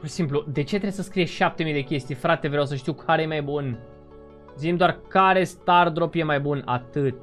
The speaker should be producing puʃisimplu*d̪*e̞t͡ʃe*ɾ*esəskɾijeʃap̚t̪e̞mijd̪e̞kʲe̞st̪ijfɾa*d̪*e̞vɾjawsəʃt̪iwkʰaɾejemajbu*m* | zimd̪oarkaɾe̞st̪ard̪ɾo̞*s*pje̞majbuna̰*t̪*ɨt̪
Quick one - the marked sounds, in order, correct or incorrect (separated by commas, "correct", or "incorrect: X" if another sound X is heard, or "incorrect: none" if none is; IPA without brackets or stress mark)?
correct, correct, incorrect: t̪, incorrect: n, incorrect: none, correct